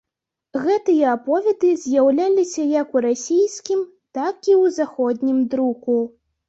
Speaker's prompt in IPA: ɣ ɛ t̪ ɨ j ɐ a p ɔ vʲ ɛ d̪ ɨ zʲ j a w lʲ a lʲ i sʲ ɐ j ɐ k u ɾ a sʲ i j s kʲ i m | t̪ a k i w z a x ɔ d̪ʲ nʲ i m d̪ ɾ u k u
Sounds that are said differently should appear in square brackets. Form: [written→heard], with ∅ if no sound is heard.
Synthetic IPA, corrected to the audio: ɣ ɛ t̪ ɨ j ɐ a p ɔ vʲ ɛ d̪ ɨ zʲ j a w lʲ a lʲ i sʲ ɐ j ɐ k u ɾ a sʲ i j s kʲ i m | t̪ a k i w z a x ɔ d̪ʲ nʲ i m d̪ ɾ u k u